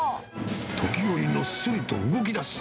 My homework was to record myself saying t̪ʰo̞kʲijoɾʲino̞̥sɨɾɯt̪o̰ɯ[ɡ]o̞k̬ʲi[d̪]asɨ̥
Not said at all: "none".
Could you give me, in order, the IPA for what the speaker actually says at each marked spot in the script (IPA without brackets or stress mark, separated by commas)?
ɡ, d̪